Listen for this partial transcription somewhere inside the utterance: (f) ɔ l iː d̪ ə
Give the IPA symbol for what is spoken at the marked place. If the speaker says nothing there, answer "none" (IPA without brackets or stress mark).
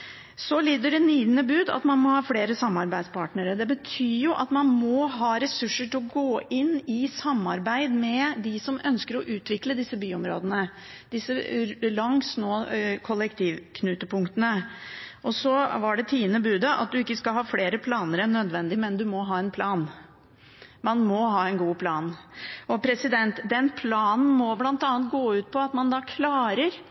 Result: s